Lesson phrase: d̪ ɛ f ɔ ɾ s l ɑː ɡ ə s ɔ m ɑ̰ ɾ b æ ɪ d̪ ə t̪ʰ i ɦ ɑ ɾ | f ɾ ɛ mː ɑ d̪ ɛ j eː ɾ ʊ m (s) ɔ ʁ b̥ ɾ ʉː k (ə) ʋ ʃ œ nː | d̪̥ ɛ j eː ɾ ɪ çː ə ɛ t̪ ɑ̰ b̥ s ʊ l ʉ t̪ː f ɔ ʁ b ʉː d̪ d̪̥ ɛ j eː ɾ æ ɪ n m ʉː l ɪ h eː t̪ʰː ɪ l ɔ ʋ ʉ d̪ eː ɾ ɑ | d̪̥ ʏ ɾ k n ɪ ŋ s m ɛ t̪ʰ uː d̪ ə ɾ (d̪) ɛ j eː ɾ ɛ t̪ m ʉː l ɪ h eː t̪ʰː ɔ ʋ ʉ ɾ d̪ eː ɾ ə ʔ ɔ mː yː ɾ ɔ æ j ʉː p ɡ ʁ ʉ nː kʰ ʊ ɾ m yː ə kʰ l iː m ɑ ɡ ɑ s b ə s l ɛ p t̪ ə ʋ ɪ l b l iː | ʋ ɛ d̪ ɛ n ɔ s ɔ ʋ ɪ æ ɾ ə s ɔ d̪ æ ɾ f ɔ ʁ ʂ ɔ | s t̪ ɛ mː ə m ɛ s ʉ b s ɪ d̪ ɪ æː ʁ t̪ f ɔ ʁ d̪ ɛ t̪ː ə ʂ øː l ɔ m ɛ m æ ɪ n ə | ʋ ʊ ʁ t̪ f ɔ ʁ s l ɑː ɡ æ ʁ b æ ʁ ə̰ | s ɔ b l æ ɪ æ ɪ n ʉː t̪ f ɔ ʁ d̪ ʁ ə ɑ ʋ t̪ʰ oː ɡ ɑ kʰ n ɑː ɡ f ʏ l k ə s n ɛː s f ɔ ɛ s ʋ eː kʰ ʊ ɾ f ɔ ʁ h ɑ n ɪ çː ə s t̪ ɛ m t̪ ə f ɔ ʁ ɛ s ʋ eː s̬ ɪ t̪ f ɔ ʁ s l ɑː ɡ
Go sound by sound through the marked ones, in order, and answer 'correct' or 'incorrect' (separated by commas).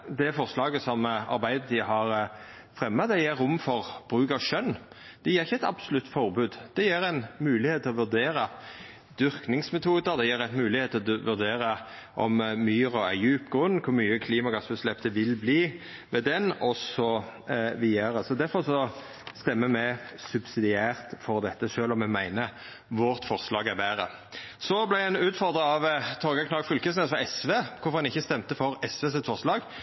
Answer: incorrect, incorrect, correct